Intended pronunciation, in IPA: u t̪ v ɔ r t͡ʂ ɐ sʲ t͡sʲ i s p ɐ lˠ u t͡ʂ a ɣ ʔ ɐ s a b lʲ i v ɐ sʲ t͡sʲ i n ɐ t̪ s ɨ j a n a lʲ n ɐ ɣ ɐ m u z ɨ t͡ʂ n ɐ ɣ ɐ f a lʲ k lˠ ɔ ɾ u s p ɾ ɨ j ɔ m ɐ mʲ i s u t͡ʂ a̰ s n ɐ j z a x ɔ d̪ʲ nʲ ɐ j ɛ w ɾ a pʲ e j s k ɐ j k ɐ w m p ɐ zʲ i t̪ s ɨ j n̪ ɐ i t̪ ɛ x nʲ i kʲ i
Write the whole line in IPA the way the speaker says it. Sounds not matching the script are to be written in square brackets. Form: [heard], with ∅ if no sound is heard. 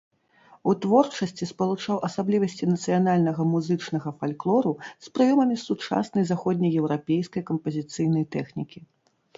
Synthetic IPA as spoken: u t̪ v ɔ r t͡ʂ ɐ sʲ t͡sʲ i s p ɐ lˠ u t͡ʂ a [w] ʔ ɐ s a b lʲ i v ɐ sʲ t͡sʲ i n ɐ t̪ s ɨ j a n a lʲ n ɐ ɣ ɐ m u z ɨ t͡ʂ n ɐ ɣ ɐ f a lʲ k lˠ ɔ ɾ u s p ɾ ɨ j ɔ m ɐ mʲ i s u t͡ʂ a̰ s n ɐ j z a x ɔ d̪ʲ nʲ ɐ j ɛ w ɾ a pʲ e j s k ɐ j k ɐ [∅] m p ɐ zʲ i t̪ s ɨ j n̪ ɐ [j] t̪ ɛ x nʲ i kʲ i

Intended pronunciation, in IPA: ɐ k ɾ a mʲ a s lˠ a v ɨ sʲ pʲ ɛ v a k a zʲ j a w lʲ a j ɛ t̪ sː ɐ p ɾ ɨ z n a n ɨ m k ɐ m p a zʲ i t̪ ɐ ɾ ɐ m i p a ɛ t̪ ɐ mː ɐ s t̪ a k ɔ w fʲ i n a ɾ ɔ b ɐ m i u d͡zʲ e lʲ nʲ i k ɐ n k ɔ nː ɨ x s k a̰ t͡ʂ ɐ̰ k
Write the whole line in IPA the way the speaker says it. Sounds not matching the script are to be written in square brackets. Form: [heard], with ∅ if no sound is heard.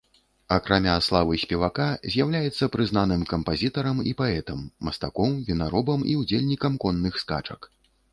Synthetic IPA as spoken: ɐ k ɾ a mʲ a s lˠ a v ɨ sʲ pʲ ɛ v a k a zʲ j a w lʲ a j ɛ t̪ sː ɐ p ɾ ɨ z n a n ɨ m k ɐ m p a zʲ i t̪ ɐ ɾ ɐ m i p a ɛ t̪ ɐ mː ɐ s t̪ a k ɔ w [vʲ] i n a ɾ ɔ b ɐ m i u d͡zʲ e lʲ nʲ i k ɐ [m] k ɔ nː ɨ x s k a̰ t͡ʂ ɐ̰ k

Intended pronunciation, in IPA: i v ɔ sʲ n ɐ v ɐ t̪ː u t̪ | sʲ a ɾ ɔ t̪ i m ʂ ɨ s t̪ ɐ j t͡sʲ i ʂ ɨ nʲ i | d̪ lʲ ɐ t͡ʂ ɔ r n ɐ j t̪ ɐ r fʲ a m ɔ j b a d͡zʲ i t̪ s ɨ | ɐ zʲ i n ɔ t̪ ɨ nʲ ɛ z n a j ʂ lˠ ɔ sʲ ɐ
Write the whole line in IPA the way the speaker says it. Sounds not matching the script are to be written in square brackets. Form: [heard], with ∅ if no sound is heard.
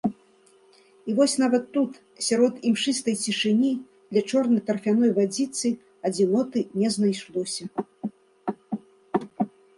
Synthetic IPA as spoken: i v ɔ sʲ n [a] v ɐ t̪ː u t̪ | sʲ a ɾ ɔ t̪ i m ʂ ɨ s t̪ ɐ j t͡sʲ i ʂ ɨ nʲ i | d̪ lʲ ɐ t͡ʂ ɔ r n ɐ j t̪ ɐ r fʲ a [n] ɔ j [v] a d͡zʲ i t̪ s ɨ | ɐ [d͡zʲ] i n ɔ t̪ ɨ nʲ ɛ z n a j ʂ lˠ ɔ sʲ ɐ

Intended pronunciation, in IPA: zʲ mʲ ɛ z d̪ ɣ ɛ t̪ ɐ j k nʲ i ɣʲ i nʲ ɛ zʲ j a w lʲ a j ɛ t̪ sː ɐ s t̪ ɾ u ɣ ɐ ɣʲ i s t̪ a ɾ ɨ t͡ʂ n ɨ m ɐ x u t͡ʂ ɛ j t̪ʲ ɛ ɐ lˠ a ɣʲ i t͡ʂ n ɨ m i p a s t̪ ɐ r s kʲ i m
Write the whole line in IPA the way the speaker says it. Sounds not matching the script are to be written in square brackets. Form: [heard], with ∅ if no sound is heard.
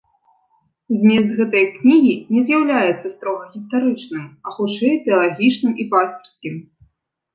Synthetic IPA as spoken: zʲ mʲ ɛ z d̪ ɣ ɛ t̪ ɐ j k nʲ i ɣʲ i nʲ ɛ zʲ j a w lʲ a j ɛ t̪ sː ɐ s t̪ ɾ [ɔ] ɣ ɐ ɣʲ i s t̪ a ɾ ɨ t͡ʂ n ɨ m ɐ x u t͡ʂ ɛ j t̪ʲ ɛ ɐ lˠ a ɣʲ i t͡ʂ n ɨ m i p a s t̪ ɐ r s kʲ i m

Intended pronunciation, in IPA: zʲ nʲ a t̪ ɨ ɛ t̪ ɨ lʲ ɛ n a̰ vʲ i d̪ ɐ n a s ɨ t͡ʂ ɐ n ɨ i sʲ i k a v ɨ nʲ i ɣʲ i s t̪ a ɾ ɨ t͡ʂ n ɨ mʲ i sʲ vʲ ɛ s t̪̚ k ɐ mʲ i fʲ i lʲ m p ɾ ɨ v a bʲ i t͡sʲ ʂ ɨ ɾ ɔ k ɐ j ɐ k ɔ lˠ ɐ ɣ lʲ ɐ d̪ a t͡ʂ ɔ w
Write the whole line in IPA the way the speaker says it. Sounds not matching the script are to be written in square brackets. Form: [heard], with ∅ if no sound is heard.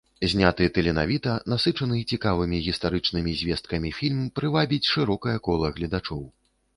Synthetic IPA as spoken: zʲ nʲ a t̪ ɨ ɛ t̪ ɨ lʲ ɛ n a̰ vʲ i [t̪] ɐ n a s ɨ t͡ʂ ɐ n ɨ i [t͡sʲ] i k a v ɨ [mʲ] i ɣʲ i s t̪ a ɾ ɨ t͡ʂ n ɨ mʲ i [zʲ] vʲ ɛ s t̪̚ k ɐ mʲ i fʲ i lʲ m p ɾ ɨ v a bʲ i t͡sʲ ʂ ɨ ɾ ɔ k ɐ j ɐ k ɔ lˠ ɐ ɣ lʲ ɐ d̪ a t͡ʂ ɔ w

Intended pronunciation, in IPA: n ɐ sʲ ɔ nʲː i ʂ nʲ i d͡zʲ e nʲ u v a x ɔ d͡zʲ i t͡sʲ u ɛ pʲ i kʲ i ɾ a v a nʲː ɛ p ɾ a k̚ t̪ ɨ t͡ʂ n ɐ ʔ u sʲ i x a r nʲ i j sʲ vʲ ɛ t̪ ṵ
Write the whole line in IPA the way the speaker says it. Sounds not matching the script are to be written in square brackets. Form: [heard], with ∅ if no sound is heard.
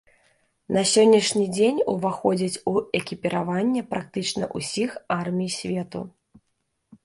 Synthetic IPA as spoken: n ɐ sʲ ɔ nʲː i ʂ nʲ i d͡zʲ e nʲ u v a x ɔ d͡zʲ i t͡sʲ u ɛ [kʲ] i [pʲ] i ɾ a v a nʲː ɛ p ɾ a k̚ t̪ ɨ t͡ʂ n ɐ ʔ u sʲ i x a r [mʲ] i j sʲ vʲ ɛ t̪ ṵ

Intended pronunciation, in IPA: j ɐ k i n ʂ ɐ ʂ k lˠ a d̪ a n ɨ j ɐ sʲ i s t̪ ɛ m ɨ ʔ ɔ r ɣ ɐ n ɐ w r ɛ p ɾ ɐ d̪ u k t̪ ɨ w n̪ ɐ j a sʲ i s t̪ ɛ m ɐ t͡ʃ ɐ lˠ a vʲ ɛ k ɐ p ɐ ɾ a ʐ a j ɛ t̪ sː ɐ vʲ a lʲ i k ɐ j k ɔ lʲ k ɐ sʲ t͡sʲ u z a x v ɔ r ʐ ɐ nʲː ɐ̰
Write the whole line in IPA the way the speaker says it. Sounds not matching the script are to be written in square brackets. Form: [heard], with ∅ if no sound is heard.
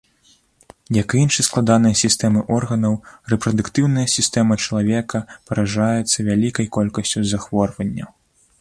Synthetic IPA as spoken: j ɐ k i n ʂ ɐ [s] k lˠ a d̪ a n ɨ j ɐ sʲ i s t̪ ɛ m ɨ ʔ ɔ r ɣ ɐ n ɐ w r ɛ p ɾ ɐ d̪ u k t̪ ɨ w n̪ ɐ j [ɐ] sʲ i s t̪ ɛ m ɐ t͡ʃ ɐ lˠ a vʲ ɛ k ɐ p ɐ ɾ a ʐ a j ɛ t̪ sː ɐ vʲ a lʲ i k ɐ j k ɔ lʲ k ɐ sʲ t͡sʲ u z a x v ɔ r [v] ɐ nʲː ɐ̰

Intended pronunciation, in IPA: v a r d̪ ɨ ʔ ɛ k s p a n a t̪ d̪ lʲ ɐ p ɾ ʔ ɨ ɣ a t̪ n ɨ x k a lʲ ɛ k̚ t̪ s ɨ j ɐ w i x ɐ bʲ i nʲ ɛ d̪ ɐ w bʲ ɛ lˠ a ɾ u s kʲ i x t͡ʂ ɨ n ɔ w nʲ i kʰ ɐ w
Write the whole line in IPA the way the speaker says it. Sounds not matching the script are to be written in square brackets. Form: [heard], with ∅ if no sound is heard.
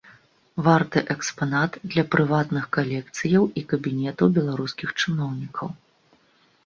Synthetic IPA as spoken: v a r [t̪] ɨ ʔ ɛ k s p a n a t̪ d̪ lʲ ɐ p ɾ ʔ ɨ [v] a t̪ n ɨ x k a lʲ ɛ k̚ t̪ s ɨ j ɐ w i [k] ɐ bʲ i nʲ ɛ [t̪] ɐ w bʲ ɛ lˠ a ɾ u s kʲ i x t͡ʂ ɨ n ɔ w nʲ i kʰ ɐ w

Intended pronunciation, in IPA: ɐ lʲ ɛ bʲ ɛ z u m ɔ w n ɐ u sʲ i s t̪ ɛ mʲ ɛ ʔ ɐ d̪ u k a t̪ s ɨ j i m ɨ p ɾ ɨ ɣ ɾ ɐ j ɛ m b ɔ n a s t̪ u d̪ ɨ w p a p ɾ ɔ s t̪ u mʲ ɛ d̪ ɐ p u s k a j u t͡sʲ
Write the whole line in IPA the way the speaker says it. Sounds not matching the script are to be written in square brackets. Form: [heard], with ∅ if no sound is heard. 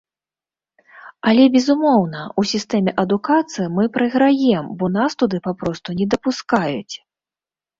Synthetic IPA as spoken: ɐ lʲ ɛ bʲ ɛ z u m ɔ w n ɐ u sʲ i s t̪ ɛ mʲ ɛ ʔ ɐ d̪ u k a t̪ s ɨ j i m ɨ p ɾ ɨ ɣ ɾ [a] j ɛ m b ɔ n a s t̪ u d̪ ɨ [∅] p a p ɾ ɔ s t̪ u [nʲ] ɛ d̪ ɐ p u s k a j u t͡sʲ

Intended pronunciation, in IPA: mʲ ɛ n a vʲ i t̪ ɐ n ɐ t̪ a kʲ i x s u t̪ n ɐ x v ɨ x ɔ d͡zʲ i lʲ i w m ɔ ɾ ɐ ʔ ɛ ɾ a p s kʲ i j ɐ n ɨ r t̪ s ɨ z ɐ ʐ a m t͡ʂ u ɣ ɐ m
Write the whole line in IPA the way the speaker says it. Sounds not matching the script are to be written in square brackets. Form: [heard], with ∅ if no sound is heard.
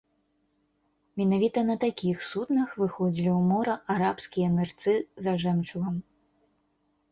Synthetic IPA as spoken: mʲ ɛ n a vʲ i t̪ ɐ n ɐ t̪ a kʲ i x s u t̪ n ɐ x v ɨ x ɔ d͡zʲ i lʲ i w m ɔ ɾ ɐ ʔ [a] ɾ a p s kʲ i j ɐ n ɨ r t̪ s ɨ z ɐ ʐ [ɛ] m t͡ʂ u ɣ ɐ m

